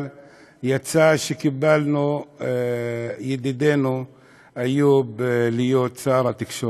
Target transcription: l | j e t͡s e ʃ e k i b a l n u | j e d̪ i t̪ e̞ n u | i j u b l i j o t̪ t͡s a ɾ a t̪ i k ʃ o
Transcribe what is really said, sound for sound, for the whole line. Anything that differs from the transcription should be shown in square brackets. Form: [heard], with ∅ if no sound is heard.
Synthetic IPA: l | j [a] t͡s [a] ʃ e k i b a l n u | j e d̪ i [d̪] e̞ n u | [a] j u b l i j o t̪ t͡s a ɾ a t̪ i k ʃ o